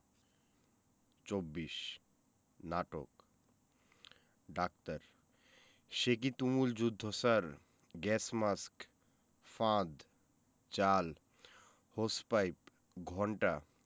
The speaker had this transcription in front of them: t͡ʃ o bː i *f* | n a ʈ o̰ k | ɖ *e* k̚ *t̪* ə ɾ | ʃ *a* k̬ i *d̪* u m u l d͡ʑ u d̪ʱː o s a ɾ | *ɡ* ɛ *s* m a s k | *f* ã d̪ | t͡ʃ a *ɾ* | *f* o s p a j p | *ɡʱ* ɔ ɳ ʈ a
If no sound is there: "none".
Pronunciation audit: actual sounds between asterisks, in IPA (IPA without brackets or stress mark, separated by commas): ʃ, a, t̪, e, t̪, ɡ, s, f, l, h, ɡʱ